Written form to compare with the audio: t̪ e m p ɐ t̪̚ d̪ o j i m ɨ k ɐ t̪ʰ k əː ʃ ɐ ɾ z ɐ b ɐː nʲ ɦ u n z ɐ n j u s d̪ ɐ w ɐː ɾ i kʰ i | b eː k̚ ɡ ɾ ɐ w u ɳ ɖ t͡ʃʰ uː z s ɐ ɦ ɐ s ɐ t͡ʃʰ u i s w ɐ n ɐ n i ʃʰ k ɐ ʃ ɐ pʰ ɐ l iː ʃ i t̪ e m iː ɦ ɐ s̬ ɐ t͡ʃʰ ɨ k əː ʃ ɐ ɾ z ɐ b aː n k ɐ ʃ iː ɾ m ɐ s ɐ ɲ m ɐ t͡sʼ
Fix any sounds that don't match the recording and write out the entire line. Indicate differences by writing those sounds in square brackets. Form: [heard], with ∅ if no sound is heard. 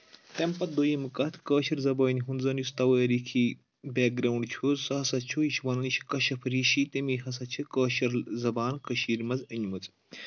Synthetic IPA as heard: t̪ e m p ɐ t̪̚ d̪ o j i m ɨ k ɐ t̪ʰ k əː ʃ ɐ ɾ z ɐ b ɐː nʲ ɦ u n z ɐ n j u s [t̪] ɐ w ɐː ɾ i kʰ i | b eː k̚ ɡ ɾ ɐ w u ɳ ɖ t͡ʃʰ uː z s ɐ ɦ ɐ s ɐ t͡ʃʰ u i [ʃ] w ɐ n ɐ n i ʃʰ k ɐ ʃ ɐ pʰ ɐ [ɾ] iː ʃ i t̪ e m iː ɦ ɐ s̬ ɐ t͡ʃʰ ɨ k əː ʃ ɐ ɾ z ɐ b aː n k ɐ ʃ iː ɾ m ɐ [z] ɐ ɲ m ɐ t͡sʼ